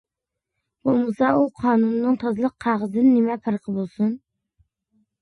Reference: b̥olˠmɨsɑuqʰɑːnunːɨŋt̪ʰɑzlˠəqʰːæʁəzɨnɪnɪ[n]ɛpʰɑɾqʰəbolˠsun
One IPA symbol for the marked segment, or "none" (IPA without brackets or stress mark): m